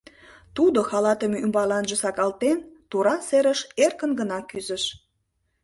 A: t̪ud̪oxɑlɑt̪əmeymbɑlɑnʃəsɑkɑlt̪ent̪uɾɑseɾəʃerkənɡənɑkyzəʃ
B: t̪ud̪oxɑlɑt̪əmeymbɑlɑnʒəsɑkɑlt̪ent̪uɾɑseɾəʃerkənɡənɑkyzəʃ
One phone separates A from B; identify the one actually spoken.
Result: B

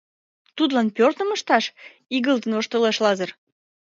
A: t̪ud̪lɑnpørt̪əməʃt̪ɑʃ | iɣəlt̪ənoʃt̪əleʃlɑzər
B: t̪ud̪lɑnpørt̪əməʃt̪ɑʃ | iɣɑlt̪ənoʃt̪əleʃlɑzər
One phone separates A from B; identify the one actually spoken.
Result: A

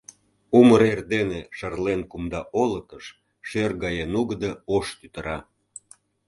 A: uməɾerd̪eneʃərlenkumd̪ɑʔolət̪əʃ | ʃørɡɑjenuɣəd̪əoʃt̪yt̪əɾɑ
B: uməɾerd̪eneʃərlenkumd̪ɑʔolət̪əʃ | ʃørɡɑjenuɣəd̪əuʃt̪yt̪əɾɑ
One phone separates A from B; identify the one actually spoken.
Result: A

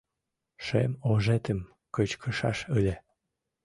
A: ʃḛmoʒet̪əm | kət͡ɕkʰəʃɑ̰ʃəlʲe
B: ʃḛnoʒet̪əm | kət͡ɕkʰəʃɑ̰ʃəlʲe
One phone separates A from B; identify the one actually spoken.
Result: A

